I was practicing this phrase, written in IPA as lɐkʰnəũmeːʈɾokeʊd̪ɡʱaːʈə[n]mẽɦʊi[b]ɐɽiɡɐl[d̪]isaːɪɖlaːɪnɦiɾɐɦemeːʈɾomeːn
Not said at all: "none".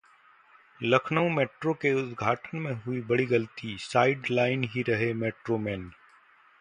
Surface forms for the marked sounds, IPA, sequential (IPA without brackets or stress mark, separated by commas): n, b, t̪